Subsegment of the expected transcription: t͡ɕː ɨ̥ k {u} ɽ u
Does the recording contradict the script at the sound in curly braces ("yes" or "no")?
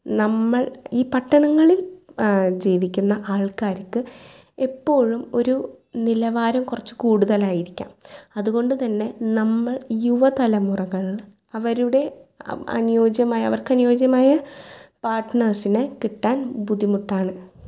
yes